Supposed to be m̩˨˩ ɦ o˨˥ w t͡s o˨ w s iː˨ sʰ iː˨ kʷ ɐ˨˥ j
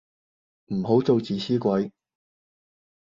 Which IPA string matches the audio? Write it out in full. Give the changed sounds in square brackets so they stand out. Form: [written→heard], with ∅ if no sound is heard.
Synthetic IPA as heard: m̩˨˩ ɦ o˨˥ w t͡s o˨ w [s→t͡s] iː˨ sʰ [iː˨→iː˥] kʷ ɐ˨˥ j